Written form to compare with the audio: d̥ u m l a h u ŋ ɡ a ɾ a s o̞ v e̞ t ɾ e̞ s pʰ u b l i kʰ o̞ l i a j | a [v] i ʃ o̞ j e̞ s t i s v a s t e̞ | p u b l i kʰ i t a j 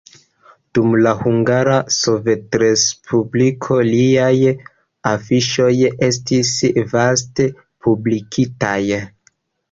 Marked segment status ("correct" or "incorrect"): incorrect